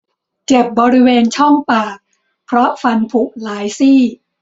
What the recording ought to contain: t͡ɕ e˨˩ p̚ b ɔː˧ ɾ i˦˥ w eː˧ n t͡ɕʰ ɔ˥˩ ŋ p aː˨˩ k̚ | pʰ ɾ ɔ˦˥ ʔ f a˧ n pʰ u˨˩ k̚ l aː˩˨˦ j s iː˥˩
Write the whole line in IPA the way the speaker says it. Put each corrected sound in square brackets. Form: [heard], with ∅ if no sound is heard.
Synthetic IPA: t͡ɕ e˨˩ p̚ b ɔː˧ ɾ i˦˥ w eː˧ n t͡ɕʰ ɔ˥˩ ŋ p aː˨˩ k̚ | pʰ ɾ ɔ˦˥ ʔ f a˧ n pʰ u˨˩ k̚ l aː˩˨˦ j s iː˥˩